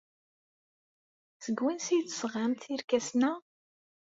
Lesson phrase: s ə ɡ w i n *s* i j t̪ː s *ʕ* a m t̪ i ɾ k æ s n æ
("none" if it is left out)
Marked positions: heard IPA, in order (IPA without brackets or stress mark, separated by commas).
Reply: s, ʁ